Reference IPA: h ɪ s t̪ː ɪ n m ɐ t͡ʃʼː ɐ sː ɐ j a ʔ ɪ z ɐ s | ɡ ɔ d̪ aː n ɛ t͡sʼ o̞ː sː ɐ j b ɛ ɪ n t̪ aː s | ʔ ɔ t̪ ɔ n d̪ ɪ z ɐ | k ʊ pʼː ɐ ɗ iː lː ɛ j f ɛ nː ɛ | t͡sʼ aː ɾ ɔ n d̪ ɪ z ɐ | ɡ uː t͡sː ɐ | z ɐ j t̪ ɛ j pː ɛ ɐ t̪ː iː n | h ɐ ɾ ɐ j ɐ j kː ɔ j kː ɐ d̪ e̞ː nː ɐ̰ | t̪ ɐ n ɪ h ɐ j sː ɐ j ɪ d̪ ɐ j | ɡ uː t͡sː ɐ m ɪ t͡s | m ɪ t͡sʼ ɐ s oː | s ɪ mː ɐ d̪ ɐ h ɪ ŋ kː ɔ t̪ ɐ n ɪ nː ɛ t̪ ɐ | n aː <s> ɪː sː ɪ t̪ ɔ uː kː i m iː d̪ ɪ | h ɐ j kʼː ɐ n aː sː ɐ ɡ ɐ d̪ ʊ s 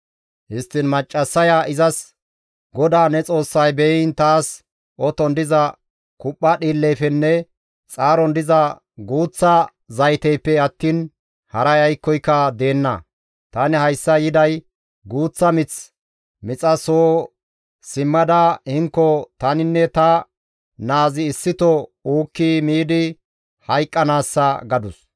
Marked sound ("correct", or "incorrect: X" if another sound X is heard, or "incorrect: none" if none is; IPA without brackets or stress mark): incorrect: z